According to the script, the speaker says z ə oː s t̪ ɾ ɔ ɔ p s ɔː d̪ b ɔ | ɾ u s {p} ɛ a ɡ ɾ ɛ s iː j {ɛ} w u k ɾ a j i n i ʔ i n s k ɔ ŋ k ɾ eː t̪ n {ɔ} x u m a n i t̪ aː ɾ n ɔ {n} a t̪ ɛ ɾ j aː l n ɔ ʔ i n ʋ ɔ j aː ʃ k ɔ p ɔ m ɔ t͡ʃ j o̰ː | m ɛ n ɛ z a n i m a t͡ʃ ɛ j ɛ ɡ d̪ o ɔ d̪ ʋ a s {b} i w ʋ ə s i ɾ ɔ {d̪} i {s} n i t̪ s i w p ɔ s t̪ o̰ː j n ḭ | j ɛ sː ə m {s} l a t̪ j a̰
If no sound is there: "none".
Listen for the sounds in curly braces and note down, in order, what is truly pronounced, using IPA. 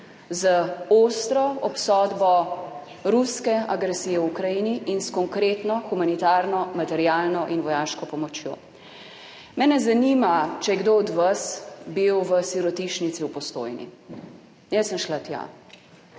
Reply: k, ɛ, ɔ, m, b, t̪, ʃ, ʃ

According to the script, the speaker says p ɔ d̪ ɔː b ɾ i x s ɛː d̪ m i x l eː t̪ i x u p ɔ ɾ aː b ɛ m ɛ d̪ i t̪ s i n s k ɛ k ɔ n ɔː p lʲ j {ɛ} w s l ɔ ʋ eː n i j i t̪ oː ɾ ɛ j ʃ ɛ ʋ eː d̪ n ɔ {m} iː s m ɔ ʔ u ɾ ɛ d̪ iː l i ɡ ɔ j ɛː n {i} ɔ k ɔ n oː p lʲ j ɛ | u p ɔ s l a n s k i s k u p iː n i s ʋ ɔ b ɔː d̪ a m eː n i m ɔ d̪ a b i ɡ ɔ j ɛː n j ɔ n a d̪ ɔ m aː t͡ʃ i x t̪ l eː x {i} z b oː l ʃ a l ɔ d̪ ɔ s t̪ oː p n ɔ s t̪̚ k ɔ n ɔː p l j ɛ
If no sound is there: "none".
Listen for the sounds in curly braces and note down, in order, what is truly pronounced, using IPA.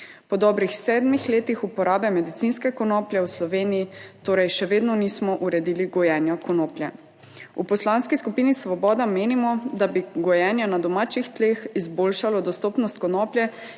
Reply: ɛ, n, j, i

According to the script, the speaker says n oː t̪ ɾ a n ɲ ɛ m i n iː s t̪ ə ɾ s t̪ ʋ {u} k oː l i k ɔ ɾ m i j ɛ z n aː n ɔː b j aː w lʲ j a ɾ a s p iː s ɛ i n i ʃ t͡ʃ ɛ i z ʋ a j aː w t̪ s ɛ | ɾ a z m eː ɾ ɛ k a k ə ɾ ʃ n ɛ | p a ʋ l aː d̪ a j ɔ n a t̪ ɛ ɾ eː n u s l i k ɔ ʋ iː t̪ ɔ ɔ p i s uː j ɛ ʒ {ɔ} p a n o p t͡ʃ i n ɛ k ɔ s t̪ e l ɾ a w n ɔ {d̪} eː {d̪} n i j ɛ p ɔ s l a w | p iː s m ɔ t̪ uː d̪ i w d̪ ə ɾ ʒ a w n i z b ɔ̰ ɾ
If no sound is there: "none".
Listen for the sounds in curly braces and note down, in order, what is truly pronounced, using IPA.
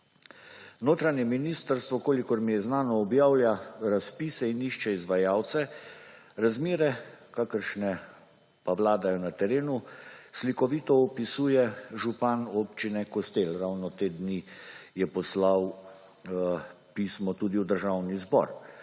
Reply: ɔ, u, t̪, d̪

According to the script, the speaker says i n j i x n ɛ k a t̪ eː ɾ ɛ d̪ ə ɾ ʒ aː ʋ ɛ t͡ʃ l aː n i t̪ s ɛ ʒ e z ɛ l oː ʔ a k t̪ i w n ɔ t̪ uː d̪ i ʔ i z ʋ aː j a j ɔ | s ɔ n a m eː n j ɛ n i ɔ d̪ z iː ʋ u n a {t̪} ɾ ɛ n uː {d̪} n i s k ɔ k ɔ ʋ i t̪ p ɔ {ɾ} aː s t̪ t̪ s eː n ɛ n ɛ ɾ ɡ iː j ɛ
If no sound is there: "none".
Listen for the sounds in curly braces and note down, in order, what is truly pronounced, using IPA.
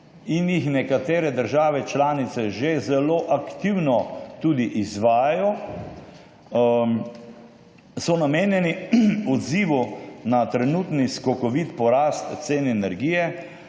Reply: t̪, t̪, ɾ

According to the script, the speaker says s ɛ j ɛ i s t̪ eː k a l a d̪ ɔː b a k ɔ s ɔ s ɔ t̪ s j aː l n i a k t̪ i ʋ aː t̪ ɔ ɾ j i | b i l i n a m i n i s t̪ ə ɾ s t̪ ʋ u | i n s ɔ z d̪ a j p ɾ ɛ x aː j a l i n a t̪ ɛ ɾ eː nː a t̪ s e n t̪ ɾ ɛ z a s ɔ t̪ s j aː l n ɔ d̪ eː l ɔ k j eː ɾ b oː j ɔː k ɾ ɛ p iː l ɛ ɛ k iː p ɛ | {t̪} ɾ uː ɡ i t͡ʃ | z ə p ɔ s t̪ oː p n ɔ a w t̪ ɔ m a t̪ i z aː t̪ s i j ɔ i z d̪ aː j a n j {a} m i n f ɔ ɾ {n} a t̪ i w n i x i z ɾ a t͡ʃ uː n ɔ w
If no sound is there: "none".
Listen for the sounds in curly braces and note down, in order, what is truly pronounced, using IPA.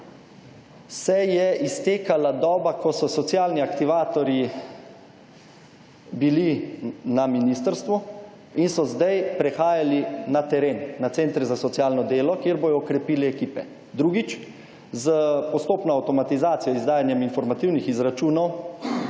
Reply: d̪, ɛ, m

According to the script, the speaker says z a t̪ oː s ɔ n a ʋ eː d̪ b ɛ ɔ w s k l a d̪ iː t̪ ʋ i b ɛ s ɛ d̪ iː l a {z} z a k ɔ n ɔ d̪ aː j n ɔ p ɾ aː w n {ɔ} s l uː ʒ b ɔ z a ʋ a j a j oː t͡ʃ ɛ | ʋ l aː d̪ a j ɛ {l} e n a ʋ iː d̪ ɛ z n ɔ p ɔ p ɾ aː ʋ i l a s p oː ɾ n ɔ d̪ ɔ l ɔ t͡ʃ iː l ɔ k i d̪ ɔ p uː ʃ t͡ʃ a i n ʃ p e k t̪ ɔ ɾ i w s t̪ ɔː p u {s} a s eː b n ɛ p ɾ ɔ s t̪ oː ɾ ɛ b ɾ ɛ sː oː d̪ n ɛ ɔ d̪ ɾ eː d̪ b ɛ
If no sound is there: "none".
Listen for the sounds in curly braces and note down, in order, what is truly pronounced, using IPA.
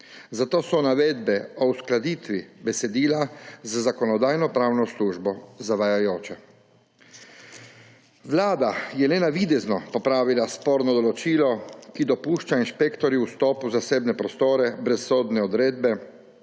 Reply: z, ɔ, l, z

